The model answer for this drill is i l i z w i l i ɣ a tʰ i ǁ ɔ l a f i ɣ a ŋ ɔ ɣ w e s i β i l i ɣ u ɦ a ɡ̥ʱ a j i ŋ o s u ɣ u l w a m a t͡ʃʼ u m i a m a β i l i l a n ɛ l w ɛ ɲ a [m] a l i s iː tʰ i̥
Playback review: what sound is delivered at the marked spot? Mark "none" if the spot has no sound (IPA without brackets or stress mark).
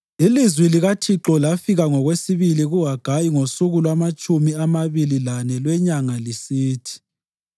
ŋ